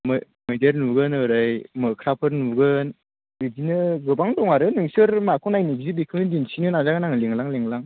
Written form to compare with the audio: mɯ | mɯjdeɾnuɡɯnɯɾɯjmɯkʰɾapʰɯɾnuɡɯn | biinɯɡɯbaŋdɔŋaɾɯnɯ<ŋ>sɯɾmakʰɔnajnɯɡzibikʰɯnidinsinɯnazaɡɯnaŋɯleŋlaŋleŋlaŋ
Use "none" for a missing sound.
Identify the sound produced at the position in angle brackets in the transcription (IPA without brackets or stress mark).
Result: ŋ